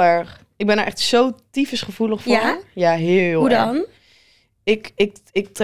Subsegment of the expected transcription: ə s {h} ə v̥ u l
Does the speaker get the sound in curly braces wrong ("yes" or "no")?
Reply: yes